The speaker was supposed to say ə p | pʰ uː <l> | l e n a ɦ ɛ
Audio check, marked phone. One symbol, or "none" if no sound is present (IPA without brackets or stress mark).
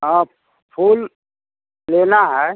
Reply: l